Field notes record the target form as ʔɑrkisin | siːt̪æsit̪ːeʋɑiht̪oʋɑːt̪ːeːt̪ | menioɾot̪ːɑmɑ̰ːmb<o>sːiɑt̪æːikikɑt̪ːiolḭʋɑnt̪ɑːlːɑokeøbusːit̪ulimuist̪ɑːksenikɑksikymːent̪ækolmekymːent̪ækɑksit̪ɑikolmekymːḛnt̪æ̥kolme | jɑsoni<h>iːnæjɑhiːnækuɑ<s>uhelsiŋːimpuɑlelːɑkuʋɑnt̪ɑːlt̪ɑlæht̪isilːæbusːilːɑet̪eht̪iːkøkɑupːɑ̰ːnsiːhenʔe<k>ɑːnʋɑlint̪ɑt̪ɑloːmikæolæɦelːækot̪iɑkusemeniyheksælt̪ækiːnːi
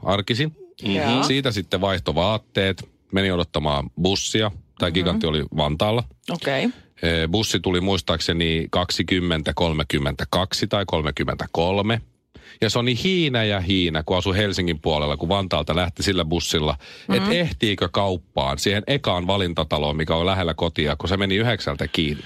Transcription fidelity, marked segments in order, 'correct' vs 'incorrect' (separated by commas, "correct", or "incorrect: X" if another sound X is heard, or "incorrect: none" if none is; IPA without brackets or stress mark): incorrect: u, correct, correct, correct